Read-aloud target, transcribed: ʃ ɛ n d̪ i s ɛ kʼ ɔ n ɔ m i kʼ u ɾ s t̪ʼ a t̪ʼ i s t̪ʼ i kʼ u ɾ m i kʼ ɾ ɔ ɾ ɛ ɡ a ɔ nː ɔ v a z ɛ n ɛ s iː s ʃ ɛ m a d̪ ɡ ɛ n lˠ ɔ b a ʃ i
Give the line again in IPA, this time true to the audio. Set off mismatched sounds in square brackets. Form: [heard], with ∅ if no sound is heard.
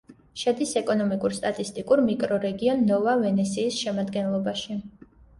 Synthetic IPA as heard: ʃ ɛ [∅] d̪ i s ɛ kʼ ɔ n ɔ m i kʼ u ɾ s t̪ʼ a t̪ʼ i s t̪ʼ i kʼ u ɾ m i kʼ ɾ ɔ ɾ ɛ ɡ [i] ɔ nː ɔ v a [v] ɛ n ɛ s iː s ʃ ɛ m a d̪ ɡ ɛ n lˠ ɔ b a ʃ i